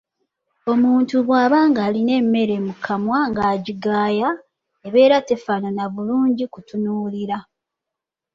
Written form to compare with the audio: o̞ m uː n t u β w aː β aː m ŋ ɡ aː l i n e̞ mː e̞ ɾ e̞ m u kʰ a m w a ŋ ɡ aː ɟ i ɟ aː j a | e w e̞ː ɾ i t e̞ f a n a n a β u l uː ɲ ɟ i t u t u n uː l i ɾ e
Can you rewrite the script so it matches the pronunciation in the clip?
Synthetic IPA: o̞ m uː n t u β w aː β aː ŋ ɡ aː l i n e̞ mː e̞ ɾ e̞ m u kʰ a m w a ŋ ɡ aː ɟ i ɡ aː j a | e β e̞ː ɾ a t e̞ f a n a n a β u l uː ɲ ɟ i k u t u n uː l i ɾ a

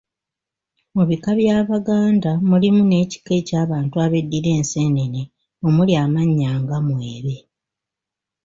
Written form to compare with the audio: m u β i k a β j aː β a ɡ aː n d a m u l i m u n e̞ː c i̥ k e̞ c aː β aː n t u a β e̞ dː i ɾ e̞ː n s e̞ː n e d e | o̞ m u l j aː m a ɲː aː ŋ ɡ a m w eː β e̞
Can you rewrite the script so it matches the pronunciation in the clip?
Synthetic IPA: m u β i k a β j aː β a ɡ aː n d a m u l i m u n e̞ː c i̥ k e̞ c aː β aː n t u a β e̞ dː i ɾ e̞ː n s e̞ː n e n e | o̞ m u l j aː m a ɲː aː ŋ ɡ a m w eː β e̞

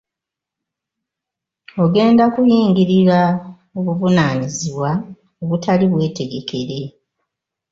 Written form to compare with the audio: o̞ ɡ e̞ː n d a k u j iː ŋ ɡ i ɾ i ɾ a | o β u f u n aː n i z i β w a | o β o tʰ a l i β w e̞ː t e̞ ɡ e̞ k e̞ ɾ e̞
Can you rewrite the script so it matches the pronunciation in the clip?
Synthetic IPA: o̞ ɡ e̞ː n d a k u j iː ŋ ɡ i ɾ i ɾ a | o β u v u n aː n i z i β w a | o β u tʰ a l i β w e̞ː t e̞ ɡ e̞ k e̞ ɾ e̞

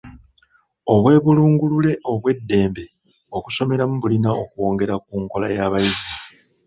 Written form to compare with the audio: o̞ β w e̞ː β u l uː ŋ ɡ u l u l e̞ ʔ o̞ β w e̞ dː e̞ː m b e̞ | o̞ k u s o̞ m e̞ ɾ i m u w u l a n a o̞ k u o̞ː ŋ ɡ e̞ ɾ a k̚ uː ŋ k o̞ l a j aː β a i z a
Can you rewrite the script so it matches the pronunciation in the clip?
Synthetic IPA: o̞ β w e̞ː β u l uː ŋ ɡ u l u l e̞ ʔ o̞ β w e̞ dː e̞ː m b e̞ | o̞ k u s o̞ m e̞ ɾ a m u β u l i n a o̞ k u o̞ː ŋ ɡ e̞ ɾ a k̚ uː ŋ k o̞ l a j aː β a i z i

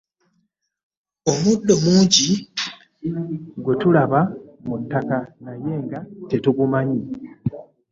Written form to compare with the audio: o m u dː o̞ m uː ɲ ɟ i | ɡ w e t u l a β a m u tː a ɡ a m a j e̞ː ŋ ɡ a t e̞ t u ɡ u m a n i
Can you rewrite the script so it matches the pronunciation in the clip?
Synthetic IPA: o m u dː o̞ m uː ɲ ɟ i | ɡ w e t u l a β a m u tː a k a n a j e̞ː ŋ ɡ a t e̞ t u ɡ u m a ɲ i

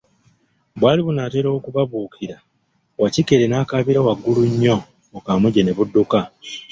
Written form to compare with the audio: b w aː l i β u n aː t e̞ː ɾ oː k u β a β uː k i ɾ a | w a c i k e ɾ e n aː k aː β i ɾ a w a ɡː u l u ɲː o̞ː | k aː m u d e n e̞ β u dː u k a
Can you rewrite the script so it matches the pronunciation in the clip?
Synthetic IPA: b w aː l i β u n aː t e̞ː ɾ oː k u β a β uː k i ɾ a | w a c i k e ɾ e n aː k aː β i ɾ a w a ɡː u l u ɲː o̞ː | k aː m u ɟ e n e̞ β u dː u k a

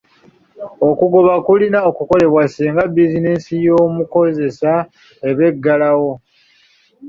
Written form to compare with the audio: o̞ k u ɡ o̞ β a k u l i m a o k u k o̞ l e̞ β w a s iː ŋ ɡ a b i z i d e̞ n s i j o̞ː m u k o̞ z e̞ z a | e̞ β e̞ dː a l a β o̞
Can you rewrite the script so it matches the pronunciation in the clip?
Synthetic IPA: o̞ k u ɡ o̞ β a k u l i n a o k u k o̞ l e̞ β w a s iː ŋ ɡ a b i z i n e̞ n s i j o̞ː m u k o̞ z e̞ s a | e̞ β e̞ ɡː a l a w o̞

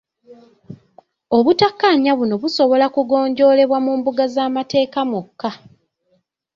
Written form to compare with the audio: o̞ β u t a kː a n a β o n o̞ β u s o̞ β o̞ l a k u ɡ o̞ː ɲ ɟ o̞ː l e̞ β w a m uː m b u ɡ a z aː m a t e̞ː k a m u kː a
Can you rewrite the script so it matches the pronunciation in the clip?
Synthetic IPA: o̞ β u t a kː a ɲ a β u n o̞ β u s o̞ β o̞ l a k u ɡ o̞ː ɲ ɟ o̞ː l e̞ β w a m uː m b u ɡ a z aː m a t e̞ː k a m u kː a

